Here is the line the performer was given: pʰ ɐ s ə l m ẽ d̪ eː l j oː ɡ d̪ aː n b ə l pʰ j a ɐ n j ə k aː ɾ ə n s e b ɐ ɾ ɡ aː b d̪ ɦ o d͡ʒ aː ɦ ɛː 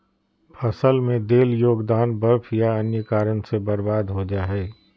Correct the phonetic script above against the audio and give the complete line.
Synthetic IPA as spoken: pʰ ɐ s ə l m ẽ d̪ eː l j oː ɡ d̪ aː n b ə ɾ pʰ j a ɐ n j ə k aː ɾ ə n s e b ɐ ɾ b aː d̪ ɦ o d͡ʒ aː ɦ ɛː